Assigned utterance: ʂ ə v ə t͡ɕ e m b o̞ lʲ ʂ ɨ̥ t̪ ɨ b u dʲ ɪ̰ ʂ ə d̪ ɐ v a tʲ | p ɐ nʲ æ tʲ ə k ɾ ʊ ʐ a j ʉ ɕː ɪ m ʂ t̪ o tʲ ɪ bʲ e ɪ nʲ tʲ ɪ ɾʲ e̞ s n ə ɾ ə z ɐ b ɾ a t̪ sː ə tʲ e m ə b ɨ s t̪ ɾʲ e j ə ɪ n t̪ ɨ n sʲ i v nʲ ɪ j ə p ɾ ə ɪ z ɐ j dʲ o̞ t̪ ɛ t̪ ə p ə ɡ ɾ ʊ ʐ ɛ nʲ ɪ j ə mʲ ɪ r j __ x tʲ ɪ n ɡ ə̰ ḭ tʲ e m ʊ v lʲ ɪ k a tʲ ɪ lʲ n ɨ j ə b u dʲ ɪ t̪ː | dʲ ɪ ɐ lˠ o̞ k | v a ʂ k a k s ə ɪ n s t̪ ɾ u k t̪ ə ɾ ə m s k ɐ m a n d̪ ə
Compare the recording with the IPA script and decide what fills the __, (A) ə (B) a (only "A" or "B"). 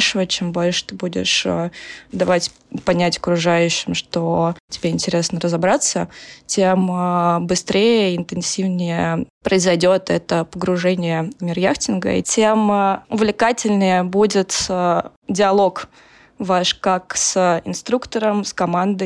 B